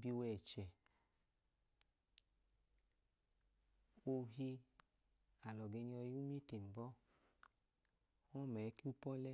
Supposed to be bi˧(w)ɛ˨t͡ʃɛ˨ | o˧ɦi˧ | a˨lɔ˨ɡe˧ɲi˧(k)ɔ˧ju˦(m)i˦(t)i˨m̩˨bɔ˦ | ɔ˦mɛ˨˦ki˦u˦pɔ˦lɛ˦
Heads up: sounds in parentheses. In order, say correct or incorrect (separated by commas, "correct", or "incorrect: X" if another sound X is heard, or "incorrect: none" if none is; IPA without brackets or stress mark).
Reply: correct, incorrect: none, correct, correct